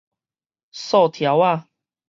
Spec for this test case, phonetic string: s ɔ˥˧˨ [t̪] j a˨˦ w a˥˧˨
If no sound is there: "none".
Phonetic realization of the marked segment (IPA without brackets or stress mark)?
t̪ʰ